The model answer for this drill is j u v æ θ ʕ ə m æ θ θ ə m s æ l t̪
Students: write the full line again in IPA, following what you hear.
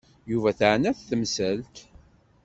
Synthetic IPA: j u v æ θ ʕ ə n æ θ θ ə m s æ l t̪